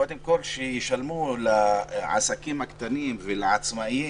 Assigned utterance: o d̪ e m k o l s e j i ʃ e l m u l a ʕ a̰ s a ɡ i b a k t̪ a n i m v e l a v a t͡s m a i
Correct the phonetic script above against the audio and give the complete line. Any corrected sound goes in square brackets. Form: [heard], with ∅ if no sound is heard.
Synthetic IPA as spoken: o d̪ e m k o l [ʃ] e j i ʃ [a] l m u l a ʕ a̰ s a [k] i [m] a k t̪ a n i m v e l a [ʕ] a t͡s m a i